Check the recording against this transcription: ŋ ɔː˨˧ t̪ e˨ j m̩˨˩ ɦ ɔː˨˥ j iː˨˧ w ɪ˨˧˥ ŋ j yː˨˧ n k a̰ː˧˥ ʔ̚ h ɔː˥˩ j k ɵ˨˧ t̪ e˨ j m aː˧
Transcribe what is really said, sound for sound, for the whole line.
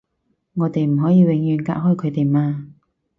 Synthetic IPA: ŋ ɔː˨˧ t̪ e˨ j m̩˨˩ ɦ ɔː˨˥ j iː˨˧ w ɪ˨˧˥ ŋ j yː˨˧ n k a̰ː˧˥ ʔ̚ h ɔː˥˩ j kʰ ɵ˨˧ t̪ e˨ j m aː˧

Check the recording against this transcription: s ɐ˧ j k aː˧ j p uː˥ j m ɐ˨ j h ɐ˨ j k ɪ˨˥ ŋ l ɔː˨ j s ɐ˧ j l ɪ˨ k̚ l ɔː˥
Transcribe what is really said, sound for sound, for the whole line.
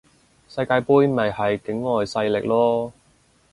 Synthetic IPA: s ɐ˧ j k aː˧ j p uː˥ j m ɐ˨ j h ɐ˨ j k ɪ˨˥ ŋ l ɔː˨ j s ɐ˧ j l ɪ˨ k̚ l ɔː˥

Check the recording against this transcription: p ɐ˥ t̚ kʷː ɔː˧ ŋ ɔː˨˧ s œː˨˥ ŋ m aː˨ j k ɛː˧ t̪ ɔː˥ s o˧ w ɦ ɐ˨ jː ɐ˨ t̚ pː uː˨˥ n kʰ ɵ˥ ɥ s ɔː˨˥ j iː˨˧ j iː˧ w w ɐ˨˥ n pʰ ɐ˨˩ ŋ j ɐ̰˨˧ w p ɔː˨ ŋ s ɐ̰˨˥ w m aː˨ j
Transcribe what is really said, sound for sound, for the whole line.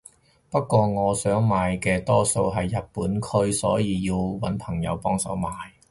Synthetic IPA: p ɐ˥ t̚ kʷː ɔː˧ ŋ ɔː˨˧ s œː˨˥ ŋ m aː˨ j k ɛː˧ t̪ ɔː˥ s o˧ w ɦ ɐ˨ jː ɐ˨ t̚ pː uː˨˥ n kʰ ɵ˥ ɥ s ɔː˨˥ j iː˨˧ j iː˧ w w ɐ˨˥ n pʰ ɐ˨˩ ŋ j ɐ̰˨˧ w p ɔː˥ ŋ s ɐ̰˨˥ w m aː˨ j

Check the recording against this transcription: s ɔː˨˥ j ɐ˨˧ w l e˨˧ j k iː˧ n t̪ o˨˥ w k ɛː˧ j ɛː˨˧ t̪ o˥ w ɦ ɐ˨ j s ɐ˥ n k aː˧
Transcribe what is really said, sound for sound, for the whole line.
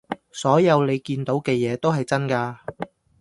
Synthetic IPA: s ɔː˨˥ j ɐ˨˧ w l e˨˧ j k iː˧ n t̪ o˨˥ w k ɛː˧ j ɛː˨˧ t̪ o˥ w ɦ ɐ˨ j t͡s ɐ˥ n k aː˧

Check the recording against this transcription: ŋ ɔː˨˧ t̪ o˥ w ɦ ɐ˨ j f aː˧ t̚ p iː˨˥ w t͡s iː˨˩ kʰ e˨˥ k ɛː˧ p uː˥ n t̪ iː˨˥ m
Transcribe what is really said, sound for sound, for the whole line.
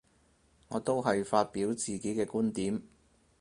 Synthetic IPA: ŋ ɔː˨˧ t̪ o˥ w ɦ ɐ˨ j f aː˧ t̚ p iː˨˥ w t͡s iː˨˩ k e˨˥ k ɛː˧ k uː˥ n t̪ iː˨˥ m

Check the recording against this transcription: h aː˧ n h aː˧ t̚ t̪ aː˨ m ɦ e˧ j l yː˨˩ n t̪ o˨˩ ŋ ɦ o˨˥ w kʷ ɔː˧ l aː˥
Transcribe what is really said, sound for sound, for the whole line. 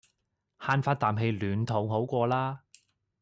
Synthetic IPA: h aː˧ n f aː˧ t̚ t̪ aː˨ m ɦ e˧ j l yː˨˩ n t̪ʰ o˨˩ ŋ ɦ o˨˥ w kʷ ɔː˧ l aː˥

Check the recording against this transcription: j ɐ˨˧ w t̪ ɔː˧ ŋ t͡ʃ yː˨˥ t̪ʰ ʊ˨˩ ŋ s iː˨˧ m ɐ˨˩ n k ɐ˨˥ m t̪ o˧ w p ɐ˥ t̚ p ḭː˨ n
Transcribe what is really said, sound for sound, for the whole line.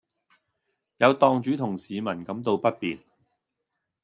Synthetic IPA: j ɐ˨˧ w t̪ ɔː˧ ŋ t͡ʃ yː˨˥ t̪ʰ ʊ˨˩ ŋ s iː˨˧ m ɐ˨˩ n k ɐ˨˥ m t̪ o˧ w p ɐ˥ t̚ p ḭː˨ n

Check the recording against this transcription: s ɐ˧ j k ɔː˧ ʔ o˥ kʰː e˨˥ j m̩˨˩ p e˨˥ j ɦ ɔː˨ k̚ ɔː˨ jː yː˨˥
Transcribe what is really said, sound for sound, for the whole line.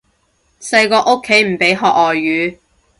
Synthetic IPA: s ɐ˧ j k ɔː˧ ʔ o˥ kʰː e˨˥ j m̩˨˩ p e˨˥ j ɦ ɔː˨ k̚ ɔː˨ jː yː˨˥

